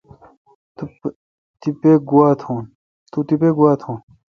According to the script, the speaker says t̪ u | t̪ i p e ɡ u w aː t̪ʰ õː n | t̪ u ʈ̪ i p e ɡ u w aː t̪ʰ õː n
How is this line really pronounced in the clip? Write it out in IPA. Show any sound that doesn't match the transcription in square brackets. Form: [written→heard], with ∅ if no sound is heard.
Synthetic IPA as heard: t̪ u | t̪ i p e ɡ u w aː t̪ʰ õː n | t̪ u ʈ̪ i p e ɡ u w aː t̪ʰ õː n